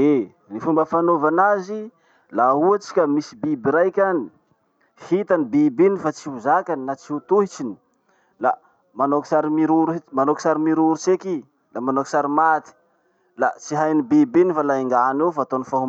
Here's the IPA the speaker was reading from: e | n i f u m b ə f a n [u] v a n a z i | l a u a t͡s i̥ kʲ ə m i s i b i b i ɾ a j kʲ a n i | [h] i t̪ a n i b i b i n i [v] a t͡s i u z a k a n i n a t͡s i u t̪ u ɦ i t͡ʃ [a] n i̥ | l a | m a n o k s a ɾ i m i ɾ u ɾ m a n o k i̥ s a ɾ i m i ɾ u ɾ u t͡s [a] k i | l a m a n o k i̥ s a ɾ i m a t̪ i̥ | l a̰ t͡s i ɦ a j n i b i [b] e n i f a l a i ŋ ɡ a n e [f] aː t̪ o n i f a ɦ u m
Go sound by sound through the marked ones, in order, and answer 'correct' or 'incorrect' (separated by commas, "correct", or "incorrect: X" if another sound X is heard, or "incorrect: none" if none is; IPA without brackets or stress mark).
incorrect: o, correct, incorrect: f, incorrect: i, incorrect: e, correct, correct